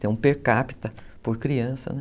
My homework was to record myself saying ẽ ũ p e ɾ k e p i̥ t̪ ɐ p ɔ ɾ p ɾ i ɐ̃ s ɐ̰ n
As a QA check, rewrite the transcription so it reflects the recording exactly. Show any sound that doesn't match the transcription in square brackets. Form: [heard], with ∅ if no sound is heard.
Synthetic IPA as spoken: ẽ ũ p e ɾ k [a] p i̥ t̪ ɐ p [o] ɾ [k] ɾ i ɐ̃ s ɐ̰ n